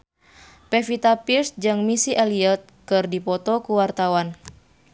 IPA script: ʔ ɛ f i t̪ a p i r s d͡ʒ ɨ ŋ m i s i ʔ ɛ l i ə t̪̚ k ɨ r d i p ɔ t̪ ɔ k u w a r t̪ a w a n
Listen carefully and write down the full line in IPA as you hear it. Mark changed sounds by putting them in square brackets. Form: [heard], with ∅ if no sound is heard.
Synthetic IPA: [p] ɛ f i t̪ a p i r s d͡ʒ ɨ ŋ m i s i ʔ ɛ l i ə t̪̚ k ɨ r d i p ɔ t̪ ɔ k u w a r t̪ a w a n